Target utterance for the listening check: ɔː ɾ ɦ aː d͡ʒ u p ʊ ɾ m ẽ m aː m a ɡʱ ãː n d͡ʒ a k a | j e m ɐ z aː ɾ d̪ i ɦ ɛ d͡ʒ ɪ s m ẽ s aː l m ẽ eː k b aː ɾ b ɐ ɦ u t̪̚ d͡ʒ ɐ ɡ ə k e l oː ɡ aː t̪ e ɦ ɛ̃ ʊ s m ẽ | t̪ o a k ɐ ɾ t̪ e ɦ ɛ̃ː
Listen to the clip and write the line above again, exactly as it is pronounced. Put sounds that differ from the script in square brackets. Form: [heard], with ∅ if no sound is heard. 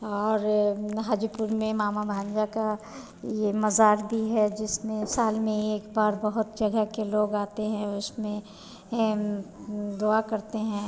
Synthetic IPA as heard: ɔː ɾ ɦ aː d͡ʒ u p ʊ ɾ m ẽ m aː m a [bʱ] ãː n d͡ʒ a k a | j e m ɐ z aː ɾ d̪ i ɦ ɛ d͡ʒ ɪ s m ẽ s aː l m ẽ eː k b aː ɾ b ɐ ɦ [ʊ] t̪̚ d͡ʒ ɐ ɡ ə k e l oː ɡ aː t̪ e ɦ ɛ̃ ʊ s m ẽ | [d̪] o a k ɐ ɾ t̪ e ɦ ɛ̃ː